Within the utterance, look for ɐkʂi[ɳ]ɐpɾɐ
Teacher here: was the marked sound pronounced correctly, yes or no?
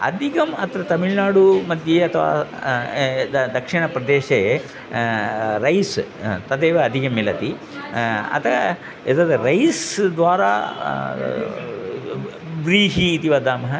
yes